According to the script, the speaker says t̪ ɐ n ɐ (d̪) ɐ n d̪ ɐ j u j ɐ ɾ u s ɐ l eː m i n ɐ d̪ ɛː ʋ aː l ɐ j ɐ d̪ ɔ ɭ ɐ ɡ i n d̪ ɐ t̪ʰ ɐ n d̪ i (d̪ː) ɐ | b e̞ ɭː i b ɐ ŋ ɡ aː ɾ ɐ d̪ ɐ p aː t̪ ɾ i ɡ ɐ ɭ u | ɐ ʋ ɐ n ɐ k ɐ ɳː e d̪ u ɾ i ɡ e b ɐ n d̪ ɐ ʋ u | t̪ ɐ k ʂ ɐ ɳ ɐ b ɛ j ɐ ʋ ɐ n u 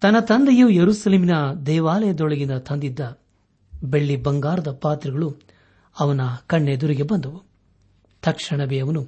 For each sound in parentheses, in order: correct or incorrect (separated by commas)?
incorrect, correct